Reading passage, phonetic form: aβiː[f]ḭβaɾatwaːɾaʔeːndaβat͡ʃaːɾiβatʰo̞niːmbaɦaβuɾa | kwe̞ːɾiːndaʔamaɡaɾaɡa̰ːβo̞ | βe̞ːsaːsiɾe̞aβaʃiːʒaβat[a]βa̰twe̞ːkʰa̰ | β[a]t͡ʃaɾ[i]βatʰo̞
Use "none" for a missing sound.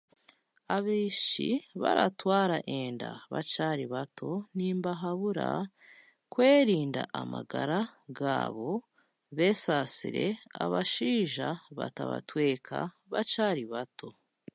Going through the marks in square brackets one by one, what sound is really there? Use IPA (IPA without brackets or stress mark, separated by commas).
ʃ, a, a, i